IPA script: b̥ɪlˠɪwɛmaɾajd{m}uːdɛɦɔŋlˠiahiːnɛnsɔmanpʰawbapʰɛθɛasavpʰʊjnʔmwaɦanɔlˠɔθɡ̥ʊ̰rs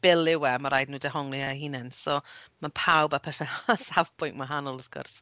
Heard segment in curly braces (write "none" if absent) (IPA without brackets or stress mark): n